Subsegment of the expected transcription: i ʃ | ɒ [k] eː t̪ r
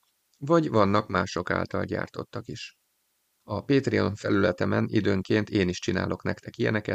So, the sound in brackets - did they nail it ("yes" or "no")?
no